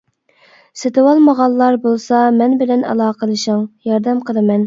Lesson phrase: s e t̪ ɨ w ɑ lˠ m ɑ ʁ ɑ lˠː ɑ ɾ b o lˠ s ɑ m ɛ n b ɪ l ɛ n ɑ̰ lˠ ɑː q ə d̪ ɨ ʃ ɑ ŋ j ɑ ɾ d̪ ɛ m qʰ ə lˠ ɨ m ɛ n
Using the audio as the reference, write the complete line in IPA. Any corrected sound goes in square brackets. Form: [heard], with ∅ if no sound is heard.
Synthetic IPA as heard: s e t̪ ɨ w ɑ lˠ m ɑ ʁ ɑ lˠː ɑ ɾ b o lˠ s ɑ m ɛ n b ɪ l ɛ n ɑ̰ lˠ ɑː q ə d̪ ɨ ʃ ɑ ŋ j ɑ ɾ d̪ ɛ m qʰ ə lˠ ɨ m ɛ n